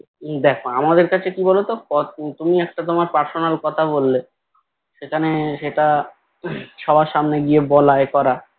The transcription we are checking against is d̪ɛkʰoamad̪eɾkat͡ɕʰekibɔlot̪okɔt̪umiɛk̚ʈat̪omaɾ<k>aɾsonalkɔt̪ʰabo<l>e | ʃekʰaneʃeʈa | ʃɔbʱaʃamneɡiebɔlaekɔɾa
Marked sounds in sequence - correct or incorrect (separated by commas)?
incorrect, incorrect